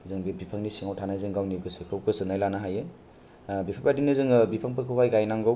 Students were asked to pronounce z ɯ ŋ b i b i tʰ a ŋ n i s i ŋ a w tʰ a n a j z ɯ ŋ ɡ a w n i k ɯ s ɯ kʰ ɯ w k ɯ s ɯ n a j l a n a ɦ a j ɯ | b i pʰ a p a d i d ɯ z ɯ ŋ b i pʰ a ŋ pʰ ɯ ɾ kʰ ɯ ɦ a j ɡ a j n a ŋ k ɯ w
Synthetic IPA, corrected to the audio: z ɯ ŋ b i b i pʰ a ŋ n i s i ŋ a w tʰ a n a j z ɯ ŋ ɡ a w n i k ɯ s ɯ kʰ ɯ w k ɯ s ɯ n a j l a n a ɦ a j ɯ | b i pʰ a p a d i n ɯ z ɯ ŋ b i pʰ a ŋ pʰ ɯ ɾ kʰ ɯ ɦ a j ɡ a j n a ŋ ɡ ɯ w